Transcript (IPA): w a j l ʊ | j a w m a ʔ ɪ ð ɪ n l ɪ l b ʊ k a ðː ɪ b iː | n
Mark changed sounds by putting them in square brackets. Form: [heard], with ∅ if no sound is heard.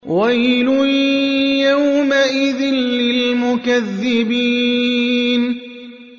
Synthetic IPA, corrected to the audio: w a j l ʊ | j a w m a ʔ ɪ ð ɪ n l ɪ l [m] ʊ k a ðː ɪ b iː | n

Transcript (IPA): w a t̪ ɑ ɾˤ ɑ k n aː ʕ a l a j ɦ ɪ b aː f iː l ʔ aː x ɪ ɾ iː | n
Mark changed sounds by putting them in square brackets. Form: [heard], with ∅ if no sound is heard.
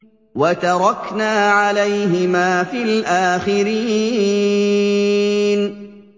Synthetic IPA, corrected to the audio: w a t̪ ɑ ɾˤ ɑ k n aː ʕ a l a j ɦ ɪ [m] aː f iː l ʔ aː x ɪ ɾ iː | n

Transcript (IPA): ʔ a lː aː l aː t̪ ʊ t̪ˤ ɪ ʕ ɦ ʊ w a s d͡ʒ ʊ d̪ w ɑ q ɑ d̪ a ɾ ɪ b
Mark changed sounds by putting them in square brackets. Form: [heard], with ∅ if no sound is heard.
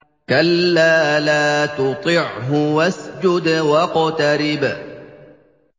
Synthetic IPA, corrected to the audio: [k] a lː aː l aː t̪ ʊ t̪ˤ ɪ ʕ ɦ ʊ w a s d͡ʒ ʊ d̪ w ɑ q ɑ [t̪] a ɾ ɪ b

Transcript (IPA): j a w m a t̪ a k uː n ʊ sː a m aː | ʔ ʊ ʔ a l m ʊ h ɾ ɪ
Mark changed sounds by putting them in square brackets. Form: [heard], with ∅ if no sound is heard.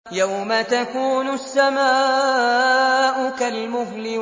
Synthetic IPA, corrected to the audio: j a w m a t̪ a k uː n ʊ sː a m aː | ʔ ʊ [k] a l m ʊ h [l] ɪ

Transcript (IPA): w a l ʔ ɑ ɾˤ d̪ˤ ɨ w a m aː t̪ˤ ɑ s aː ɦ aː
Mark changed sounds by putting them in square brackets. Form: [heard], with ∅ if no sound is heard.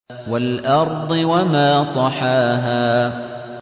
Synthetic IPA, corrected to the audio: w a l ʔ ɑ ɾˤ d̪ˤ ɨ w a m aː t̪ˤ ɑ [ħ] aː ɦ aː

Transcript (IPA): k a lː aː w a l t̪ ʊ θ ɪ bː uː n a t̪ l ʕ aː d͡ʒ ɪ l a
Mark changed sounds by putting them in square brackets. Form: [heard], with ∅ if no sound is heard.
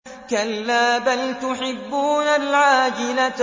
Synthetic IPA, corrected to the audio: k a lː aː [b] a l t̪ ʊ [ħ] ɪ bː uː n a [∅] l ʕ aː d͡ʒ ɪ l a

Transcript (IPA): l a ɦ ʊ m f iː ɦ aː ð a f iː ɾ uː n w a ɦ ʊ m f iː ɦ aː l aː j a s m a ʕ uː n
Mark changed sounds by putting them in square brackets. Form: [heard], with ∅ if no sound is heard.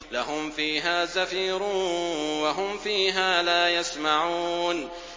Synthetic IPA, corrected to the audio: l a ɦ ʊ m f iː ɦ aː [z] a f iː ɾ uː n w a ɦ ʊ m f iː ɦ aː l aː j a s m a ʕ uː n

